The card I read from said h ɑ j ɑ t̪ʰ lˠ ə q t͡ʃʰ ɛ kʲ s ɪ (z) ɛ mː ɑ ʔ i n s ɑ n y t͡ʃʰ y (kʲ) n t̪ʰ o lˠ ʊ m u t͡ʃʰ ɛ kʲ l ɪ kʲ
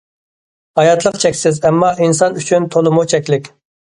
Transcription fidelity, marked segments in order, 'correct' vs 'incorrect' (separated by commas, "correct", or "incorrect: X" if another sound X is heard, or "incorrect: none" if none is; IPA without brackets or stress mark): correct, incorrect: none